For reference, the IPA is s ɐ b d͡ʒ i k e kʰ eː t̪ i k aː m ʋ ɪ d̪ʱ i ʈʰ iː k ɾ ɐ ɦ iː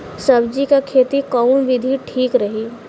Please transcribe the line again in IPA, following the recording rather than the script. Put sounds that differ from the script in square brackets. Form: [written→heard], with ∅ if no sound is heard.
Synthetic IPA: s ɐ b d͡ʒ i k [e→a] kʰ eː t̪ i k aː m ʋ ɪ d̪ʱ i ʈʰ iː k ɾ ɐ ɦ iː

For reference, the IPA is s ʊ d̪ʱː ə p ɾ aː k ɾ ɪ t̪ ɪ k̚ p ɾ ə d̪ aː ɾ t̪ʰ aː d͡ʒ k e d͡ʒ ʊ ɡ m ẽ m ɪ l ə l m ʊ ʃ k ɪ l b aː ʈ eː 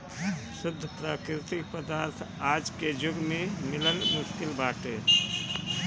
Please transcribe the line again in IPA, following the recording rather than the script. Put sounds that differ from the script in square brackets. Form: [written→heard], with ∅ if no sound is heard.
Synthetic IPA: s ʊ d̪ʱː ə p ɾ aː k ɾ ɪ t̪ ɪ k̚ p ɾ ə d̪ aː ɾ t̪ʰ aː d͡ʒ k e d͡ʒ ʊ ɡ m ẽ m ɪ l ə l m ʊ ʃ k ɪ l b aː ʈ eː

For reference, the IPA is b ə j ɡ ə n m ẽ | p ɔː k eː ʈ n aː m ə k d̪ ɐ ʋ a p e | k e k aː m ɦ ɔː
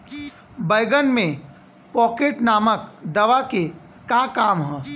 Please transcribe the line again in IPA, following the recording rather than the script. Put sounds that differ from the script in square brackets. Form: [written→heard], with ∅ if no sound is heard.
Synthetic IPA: b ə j ɡ ə n m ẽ | p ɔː k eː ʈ n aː m ə k d̪ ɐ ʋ a [p→k] e | k [e→a] k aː m ɦ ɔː

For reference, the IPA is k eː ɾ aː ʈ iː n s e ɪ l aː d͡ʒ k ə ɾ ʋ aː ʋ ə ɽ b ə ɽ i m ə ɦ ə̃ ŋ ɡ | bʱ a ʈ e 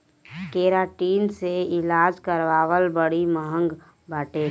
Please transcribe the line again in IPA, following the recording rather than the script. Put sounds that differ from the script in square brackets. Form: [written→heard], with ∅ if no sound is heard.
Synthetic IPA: k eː ɾ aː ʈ iː n s e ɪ l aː d͡ʒ k ə ɾ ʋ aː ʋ ə [ɽ→l] b ə ɽ i m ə ɦ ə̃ ŋ ɡ | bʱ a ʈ e

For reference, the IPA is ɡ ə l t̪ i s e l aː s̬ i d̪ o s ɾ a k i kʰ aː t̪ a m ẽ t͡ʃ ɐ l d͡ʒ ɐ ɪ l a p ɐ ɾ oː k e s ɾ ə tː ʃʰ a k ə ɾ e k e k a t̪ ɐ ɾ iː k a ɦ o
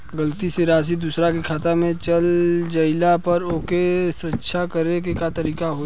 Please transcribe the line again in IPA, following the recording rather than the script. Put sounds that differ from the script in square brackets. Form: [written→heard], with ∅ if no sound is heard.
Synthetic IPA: ɡ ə l t̪ i s e [l→ɾ] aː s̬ i d̪ [o→u] s ɾ a k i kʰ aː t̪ a m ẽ t͡ʃ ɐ l d͡ʒ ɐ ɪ l a p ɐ ɾ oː k e s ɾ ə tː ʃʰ a k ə ɾ e k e k a t̪ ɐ ɾ iː k a ɦ o

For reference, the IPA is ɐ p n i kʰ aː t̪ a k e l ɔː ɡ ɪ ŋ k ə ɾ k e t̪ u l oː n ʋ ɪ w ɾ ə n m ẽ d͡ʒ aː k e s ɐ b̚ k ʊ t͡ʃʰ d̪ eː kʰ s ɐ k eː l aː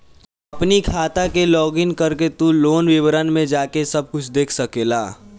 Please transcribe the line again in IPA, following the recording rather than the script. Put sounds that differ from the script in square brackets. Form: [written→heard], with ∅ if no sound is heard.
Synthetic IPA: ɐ p n i kʰ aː t̪ a k e l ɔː ɡ ɪ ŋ k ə ɾ k e t̪ u l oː n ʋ ɪ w ɾ ə n m ẽ d͡ʒ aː k e s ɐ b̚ k ʊ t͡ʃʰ d̪ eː kʰ s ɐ k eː l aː

